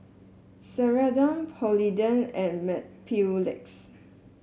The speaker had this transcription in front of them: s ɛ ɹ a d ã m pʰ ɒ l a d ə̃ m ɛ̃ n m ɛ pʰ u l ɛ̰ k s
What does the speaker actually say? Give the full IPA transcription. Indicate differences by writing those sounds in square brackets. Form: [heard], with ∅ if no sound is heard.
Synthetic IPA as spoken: s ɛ ɹ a d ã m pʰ [ɔ] l [i] d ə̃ [n] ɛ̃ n m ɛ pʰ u l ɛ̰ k s